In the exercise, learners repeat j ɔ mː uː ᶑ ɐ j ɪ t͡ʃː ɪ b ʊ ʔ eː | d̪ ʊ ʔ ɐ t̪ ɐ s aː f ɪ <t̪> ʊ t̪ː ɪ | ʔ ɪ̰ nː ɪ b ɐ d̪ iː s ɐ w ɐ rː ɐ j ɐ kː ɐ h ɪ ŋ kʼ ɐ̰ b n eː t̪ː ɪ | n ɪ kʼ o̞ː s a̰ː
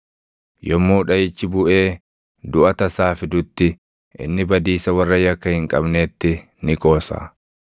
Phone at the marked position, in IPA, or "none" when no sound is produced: d̪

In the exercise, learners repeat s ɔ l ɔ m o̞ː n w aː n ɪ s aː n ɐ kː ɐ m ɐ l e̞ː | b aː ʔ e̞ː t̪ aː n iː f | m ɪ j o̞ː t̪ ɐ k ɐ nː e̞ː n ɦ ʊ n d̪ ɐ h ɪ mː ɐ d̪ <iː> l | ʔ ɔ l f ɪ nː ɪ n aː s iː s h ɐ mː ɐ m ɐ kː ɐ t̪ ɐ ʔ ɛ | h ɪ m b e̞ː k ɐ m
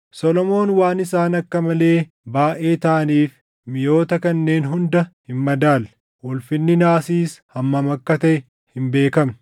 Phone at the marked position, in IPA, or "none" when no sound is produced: aː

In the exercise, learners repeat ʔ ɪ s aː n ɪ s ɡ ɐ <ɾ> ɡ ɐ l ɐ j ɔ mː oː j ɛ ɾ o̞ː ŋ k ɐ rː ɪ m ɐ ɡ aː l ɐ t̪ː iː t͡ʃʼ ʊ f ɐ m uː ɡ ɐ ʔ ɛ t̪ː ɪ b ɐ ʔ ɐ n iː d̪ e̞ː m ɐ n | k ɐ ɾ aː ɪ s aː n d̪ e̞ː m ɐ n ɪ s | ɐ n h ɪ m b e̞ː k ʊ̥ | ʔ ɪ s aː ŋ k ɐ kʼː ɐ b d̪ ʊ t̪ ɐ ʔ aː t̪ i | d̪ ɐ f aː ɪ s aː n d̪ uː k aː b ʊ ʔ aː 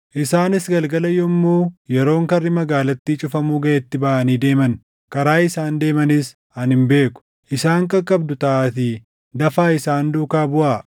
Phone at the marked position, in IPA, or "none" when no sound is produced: l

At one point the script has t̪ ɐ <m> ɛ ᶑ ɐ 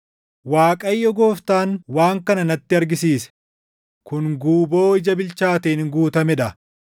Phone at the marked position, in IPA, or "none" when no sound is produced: m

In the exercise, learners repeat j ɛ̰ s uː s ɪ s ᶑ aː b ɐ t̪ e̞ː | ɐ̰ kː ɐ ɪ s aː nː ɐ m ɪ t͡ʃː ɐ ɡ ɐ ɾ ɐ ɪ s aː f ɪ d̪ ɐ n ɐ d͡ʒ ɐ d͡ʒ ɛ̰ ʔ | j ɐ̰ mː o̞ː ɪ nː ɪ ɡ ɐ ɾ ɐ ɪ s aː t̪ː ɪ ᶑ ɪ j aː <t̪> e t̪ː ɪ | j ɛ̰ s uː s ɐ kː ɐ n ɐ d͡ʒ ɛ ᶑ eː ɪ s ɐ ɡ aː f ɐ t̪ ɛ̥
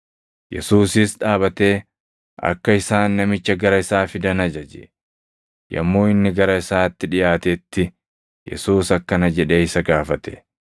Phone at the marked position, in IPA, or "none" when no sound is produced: t̪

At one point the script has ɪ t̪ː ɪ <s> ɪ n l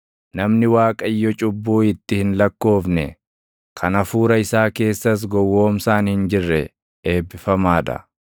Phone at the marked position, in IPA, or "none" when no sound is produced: h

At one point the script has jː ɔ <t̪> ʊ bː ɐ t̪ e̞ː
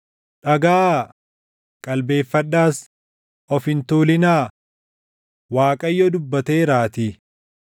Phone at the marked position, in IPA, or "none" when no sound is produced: d̪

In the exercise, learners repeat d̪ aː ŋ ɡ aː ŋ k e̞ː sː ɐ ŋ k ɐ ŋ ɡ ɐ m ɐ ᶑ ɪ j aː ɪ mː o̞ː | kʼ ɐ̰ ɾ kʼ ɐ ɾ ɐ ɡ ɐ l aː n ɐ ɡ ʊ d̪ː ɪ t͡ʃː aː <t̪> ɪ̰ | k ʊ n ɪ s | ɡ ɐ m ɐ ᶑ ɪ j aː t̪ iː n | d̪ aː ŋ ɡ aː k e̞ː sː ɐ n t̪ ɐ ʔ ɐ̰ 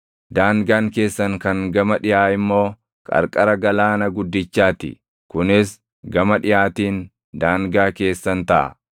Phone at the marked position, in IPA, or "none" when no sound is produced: t̪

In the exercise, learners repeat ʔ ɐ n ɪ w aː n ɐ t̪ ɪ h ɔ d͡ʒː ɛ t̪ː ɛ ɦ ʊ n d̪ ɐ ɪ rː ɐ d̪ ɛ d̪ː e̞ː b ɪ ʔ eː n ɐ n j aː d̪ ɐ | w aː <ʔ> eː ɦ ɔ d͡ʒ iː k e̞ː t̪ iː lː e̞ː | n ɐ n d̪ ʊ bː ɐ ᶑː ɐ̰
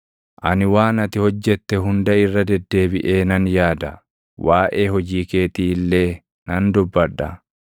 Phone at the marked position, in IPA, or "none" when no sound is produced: ʔ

